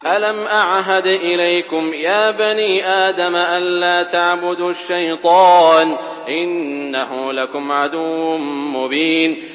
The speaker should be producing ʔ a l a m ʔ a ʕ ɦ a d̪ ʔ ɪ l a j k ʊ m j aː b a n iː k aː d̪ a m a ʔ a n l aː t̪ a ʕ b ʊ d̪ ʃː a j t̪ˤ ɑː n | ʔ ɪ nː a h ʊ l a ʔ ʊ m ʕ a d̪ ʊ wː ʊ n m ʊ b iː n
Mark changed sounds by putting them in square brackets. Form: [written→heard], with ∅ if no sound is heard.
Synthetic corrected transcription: ʔ a l a m ʔ a ʕ ɦ a d̪ ʔ ɪ l a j k ʊ m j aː b a n iː [k→ʔ] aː d̪ a m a ʔ a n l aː t̪ a ʕ b ʊ d̪ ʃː a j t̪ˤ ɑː n | ʔ ɪ nː a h ʊ l a [ʔ→k] ʊ m ʕ a d̪ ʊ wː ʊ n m ʊ b iː n